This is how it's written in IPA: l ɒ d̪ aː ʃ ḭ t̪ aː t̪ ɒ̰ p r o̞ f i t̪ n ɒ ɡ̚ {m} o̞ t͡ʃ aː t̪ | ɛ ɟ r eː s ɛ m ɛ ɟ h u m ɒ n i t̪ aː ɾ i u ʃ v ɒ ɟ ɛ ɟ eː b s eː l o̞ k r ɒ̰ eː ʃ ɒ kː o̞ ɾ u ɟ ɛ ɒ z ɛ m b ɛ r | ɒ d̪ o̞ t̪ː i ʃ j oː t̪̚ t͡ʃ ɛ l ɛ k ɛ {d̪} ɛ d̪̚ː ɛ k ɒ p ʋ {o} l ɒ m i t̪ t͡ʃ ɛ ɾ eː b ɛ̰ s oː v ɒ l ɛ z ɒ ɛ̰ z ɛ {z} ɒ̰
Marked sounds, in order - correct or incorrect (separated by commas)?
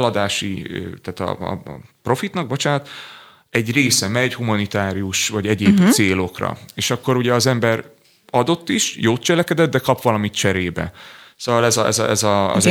incorrect, correct, incorrect, correct